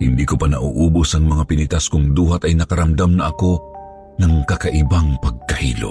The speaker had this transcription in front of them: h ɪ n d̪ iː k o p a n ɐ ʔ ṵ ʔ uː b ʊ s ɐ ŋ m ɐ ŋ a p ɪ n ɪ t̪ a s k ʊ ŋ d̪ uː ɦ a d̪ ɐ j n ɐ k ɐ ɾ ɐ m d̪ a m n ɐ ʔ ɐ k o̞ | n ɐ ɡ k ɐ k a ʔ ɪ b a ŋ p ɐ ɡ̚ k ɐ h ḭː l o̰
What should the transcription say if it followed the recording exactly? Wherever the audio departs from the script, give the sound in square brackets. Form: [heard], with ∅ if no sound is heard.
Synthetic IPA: h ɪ n d̪ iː k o p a n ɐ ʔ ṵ ʔ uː b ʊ s ɐ ŋ m ɐ ŋ a p ɪ n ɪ t̪ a s k ʊ ŋ d̪ uː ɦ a [t̪] ɐ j n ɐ k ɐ ɾ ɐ m d̪ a m n ɐ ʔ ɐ k o̞ | n ɐ [ŋ] k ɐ k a ʔ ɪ b a ŋ p ɐ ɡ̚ k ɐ h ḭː l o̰